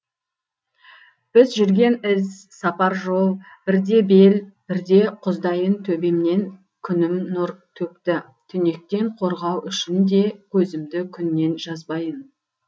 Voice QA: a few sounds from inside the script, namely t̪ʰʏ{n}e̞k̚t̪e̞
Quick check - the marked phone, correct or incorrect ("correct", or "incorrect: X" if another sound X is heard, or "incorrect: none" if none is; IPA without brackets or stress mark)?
correct